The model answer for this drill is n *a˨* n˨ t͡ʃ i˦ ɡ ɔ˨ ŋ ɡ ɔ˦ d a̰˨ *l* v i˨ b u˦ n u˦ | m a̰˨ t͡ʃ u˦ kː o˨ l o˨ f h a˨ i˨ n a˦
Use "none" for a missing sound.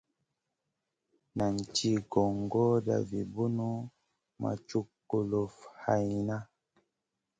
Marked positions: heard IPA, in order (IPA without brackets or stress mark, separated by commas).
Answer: a˨, none